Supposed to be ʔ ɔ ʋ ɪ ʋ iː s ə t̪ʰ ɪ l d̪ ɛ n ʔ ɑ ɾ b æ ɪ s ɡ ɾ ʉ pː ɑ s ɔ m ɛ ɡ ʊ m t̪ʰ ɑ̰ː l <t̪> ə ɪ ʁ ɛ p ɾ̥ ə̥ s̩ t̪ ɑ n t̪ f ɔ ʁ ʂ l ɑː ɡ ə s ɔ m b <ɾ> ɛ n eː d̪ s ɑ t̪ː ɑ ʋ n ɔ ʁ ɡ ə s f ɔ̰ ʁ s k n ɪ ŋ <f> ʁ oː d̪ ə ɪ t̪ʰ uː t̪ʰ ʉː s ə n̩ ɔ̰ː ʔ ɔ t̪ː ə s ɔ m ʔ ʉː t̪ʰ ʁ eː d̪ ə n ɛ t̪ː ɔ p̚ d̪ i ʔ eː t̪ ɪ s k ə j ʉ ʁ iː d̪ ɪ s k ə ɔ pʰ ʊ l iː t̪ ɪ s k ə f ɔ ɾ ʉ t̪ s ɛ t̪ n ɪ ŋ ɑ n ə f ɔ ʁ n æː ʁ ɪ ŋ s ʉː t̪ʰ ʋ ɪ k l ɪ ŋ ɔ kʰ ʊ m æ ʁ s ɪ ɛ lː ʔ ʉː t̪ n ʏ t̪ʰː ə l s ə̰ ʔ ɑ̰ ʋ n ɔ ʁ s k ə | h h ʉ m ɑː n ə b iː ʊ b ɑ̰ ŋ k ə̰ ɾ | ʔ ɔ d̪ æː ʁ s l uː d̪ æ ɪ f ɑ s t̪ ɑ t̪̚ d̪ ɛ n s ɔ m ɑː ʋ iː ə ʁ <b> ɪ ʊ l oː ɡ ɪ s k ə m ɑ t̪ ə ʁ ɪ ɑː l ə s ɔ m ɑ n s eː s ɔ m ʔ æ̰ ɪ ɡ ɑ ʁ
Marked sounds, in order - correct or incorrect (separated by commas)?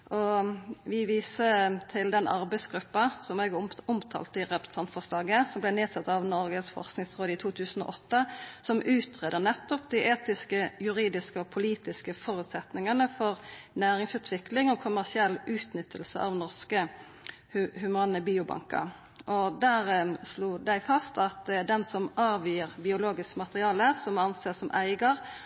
correct, incorrect, incorrect, correct